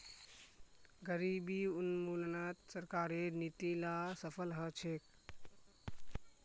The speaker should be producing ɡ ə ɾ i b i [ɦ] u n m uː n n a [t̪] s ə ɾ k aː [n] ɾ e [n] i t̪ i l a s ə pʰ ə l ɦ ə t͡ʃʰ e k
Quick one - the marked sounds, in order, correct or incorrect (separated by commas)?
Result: incorrect, correct, incorrect, correct